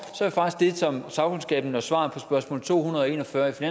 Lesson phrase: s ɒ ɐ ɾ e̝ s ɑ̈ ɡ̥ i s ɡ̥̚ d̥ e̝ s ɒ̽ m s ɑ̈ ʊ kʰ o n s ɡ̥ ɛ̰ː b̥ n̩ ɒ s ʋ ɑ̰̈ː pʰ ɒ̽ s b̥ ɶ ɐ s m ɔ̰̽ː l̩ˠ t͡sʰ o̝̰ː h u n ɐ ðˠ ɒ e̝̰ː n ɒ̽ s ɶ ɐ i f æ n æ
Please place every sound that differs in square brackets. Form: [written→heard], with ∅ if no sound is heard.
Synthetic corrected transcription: s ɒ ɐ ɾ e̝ [s→f] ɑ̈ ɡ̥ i s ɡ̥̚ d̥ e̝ s ɒ̽ m s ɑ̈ ʊ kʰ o n s ɡ̥ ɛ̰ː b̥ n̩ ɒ s ʋ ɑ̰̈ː pʰ ɒ̽ s b̥ ɶ ɐ s m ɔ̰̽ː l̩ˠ t͡sʰ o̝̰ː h u n ɐ ðˠ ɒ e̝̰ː n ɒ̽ [s→f] ɶ ɐ i f [æ→i] n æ